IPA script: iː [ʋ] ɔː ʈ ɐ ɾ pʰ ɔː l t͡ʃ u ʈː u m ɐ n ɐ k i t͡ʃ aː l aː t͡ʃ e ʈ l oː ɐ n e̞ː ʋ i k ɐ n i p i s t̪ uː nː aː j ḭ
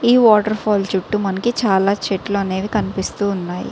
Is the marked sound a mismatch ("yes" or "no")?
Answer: no